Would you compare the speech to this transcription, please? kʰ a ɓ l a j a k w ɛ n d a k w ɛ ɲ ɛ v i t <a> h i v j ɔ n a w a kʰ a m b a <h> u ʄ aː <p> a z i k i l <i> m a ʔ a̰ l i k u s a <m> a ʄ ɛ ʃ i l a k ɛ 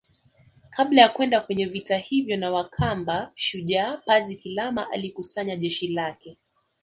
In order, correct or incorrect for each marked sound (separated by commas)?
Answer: correct, incorrect, correct, incorrect, incorrect